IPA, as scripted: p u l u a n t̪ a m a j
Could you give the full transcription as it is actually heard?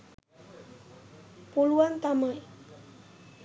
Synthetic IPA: p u l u a n t̪ a m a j